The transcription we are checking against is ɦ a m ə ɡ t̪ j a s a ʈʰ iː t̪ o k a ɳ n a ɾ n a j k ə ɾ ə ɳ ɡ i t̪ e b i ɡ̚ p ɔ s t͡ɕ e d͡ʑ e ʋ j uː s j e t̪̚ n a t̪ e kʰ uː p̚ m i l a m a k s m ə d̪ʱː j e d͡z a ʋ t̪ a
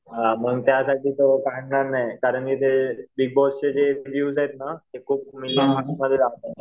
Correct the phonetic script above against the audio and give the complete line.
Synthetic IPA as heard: ɦ a m ə ɡ t̪ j a s a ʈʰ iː t̪ o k a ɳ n a ɾ n a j k a ɾ ə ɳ k i t̪ e b i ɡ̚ b ɔ s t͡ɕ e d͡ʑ e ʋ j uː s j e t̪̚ n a t̪ e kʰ uː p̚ m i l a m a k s m ə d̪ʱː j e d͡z a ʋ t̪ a